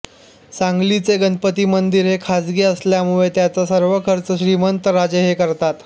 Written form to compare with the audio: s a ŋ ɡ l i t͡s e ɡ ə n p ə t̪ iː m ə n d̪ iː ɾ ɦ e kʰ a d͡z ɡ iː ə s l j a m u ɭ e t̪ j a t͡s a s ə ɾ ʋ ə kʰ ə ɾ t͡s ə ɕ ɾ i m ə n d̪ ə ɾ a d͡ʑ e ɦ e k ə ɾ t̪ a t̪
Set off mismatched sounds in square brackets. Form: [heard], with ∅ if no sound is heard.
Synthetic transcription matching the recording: s a ŋ ɡ l i t͡s e ɡ ə n p ə t̪ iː m ə n d̪ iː ɾ ɦ e kʰ a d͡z ɡ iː ə s l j a m u ɭ e t̪ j a t͡s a s ə ɾ ʋ ə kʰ ə ɾ t͡s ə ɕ ɾ i m ə n [t̪] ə ɾ a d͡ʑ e ɦ e k ə ɾ t̪ a t̪